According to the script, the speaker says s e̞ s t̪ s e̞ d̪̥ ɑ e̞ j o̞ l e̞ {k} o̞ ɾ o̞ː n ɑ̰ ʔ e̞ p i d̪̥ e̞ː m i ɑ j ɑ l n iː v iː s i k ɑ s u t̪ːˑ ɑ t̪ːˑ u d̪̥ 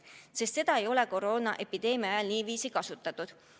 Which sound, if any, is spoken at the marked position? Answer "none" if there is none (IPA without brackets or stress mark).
k